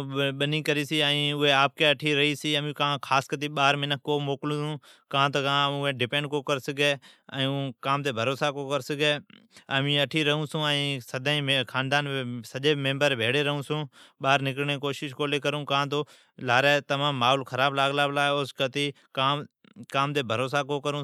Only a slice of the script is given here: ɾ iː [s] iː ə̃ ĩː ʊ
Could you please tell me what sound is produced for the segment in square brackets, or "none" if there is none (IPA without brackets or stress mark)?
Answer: s